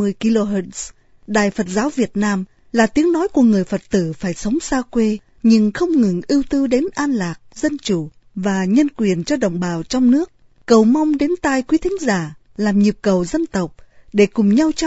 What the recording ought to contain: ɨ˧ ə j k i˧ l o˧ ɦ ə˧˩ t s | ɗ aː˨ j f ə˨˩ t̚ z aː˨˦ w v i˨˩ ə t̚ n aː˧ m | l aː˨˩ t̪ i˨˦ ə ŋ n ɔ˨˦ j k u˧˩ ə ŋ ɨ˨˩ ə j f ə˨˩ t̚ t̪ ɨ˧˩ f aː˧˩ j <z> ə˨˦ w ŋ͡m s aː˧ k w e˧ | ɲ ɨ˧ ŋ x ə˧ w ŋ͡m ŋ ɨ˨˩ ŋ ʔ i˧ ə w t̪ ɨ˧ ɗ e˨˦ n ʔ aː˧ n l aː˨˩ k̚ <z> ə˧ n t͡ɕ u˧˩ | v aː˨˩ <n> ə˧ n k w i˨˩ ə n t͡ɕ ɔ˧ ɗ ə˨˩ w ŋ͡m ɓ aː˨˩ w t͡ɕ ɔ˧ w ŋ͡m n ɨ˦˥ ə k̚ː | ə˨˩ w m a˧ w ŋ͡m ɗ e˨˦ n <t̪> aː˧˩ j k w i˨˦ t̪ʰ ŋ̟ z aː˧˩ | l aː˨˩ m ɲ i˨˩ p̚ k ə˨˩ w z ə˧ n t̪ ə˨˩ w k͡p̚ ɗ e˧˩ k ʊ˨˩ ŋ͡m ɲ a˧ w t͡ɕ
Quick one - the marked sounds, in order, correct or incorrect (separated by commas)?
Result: incorrect, correct, incorrect, correct